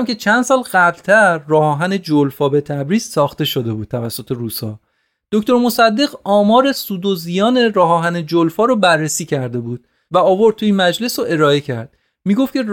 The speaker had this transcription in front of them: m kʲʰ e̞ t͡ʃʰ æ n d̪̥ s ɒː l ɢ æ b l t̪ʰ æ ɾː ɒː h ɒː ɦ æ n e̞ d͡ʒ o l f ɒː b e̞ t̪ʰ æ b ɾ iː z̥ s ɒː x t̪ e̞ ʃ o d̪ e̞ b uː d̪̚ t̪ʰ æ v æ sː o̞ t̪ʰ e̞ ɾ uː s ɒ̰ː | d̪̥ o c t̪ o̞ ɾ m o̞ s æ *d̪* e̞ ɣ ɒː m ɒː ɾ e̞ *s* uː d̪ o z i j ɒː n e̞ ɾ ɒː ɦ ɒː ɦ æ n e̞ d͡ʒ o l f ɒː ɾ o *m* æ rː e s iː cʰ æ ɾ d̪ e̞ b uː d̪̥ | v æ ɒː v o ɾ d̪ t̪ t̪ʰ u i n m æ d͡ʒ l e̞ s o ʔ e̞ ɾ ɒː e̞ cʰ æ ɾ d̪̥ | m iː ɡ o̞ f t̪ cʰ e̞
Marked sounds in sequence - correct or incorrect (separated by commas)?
incorrect, correct, incorrect